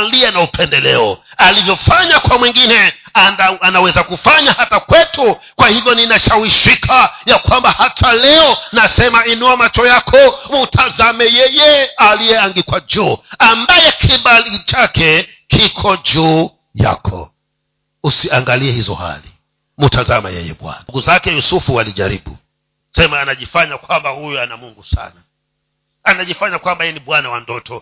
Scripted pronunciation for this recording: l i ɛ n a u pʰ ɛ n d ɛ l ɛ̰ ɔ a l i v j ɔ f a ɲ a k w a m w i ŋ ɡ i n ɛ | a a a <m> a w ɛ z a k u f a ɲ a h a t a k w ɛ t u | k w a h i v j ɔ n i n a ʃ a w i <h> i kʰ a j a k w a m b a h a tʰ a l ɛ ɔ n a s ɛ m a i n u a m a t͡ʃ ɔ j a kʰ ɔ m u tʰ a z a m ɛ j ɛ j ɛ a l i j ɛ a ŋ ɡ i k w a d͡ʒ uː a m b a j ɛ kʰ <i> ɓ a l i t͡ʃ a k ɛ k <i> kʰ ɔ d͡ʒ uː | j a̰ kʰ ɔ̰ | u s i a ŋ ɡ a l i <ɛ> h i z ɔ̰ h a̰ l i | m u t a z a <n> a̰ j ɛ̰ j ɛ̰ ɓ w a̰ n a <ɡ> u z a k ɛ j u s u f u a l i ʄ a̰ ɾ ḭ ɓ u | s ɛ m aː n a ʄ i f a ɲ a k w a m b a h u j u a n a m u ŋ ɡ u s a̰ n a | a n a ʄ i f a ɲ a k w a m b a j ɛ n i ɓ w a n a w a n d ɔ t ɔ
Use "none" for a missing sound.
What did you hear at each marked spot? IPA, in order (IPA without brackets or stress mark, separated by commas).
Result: n, ʃ, i, i, ɛ, m, ɡ